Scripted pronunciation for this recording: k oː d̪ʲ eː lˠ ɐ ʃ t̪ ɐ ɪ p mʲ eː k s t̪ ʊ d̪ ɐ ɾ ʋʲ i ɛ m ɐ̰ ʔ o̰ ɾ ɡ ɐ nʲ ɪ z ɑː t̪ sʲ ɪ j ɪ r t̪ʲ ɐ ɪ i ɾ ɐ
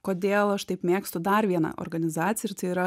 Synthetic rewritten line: k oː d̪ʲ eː lˠ ɐ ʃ t̪ ɐ ɪ p mʲ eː k s t̪ ʊ d̪ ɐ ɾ ʋʲ i ɛ n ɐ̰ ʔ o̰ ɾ ɡ ɐ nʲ ɪ z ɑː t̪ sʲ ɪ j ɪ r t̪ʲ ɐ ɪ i ɾ ɐ